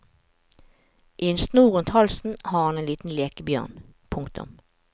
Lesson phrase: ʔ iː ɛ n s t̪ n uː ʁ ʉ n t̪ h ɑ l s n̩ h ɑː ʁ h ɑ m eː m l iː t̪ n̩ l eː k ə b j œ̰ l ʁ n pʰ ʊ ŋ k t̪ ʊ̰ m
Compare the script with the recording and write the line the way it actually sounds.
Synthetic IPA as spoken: ʔ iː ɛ n s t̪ n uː ʁ ʉ n t̪ h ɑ l s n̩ h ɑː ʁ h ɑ n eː n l iː t̪ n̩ l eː k ə b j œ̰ ʁ n pʰ ʊ ŋ k t̪ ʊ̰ m